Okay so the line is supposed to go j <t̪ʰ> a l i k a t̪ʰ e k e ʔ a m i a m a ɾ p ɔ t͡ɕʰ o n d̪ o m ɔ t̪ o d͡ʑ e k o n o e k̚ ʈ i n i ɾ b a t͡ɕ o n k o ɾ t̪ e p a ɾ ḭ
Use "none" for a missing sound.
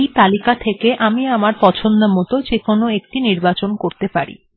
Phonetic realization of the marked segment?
t̪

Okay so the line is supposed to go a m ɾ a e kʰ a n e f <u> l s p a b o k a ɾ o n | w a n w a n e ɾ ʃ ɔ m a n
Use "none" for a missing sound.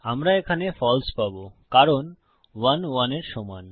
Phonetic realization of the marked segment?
ɔ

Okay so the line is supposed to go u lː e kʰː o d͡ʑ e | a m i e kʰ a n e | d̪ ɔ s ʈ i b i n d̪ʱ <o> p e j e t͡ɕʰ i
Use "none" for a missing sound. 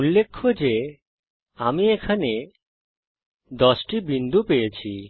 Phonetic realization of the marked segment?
u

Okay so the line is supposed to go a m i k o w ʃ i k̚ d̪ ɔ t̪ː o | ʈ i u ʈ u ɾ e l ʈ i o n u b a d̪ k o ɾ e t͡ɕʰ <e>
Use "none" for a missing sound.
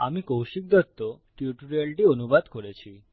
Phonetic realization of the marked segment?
i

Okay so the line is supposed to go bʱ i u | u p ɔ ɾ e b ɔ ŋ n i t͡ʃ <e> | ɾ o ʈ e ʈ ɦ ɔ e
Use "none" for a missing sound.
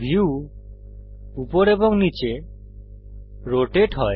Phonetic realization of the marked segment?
e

